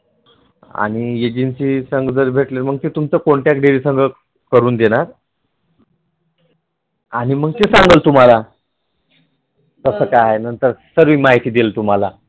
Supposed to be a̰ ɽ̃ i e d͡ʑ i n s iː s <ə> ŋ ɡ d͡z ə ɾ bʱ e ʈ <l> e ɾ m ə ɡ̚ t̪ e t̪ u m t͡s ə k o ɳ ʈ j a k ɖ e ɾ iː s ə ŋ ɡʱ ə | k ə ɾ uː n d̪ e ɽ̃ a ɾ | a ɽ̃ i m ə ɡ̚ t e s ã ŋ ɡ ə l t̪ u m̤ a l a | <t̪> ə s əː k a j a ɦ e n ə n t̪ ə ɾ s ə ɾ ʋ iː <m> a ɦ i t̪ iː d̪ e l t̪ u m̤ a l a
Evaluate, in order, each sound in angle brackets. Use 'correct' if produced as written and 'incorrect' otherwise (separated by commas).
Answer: correct, correct, correct, correct